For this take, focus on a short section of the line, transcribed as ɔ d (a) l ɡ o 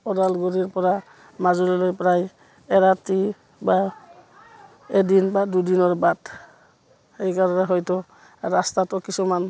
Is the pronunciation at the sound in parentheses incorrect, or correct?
correct